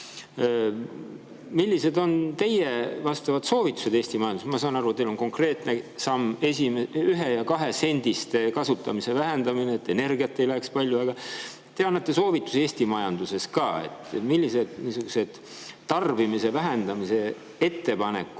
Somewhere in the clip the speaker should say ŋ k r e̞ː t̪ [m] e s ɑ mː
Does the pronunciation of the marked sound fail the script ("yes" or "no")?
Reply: yes